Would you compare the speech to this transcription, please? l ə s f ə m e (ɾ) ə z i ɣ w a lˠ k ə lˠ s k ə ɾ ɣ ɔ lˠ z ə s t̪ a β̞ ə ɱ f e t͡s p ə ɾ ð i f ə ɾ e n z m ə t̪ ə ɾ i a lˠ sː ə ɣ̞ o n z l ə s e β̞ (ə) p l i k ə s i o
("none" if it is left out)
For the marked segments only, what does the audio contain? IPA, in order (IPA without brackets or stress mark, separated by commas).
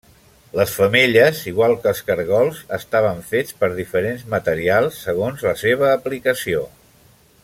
ʎ, əː